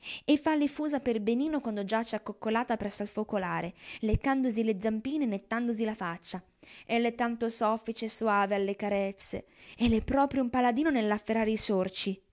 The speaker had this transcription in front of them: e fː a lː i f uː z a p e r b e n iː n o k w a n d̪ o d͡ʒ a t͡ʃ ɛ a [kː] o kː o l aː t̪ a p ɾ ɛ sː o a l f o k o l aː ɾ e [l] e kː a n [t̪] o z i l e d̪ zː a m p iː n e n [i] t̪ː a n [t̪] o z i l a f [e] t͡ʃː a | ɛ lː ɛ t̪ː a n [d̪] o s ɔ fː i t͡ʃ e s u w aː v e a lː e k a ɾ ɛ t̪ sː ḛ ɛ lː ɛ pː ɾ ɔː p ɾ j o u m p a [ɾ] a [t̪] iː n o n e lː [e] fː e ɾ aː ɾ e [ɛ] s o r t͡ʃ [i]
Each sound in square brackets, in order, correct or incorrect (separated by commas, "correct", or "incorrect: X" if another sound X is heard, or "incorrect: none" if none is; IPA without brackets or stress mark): correct, correct, incorrect: d̪, incorrect: e, incorrect: d̪, incorrect: a, incorrect: t̪, incorrect: l, incorrect: d̪, incorrect: a, incorrect: i, correct